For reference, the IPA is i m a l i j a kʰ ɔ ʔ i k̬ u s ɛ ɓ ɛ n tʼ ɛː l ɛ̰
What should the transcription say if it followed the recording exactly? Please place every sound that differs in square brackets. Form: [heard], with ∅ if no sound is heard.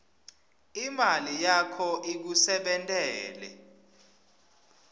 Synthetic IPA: i m a l i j a kʰ ɔ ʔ i k̬ u s ɛ ɓ ɛ n tʼ ɛː l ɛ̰